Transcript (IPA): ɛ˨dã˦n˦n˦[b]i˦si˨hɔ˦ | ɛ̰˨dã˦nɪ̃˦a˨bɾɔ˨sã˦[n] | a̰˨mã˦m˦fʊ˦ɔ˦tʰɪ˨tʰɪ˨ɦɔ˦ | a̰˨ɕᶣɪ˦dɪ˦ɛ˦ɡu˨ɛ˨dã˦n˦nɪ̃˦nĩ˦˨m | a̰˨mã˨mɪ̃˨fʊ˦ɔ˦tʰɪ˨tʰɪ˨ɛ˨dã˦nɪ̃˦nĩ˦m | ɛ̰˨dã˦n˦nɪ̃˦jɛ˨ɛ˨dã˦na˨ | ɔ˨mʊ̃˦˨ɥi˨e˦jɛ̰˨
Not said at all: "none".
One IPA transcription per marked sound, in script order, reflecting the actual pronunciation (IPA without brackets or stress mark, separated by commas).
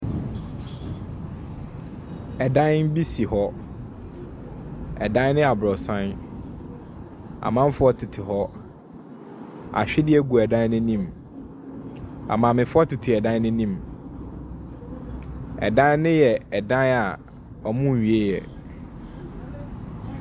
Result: b, n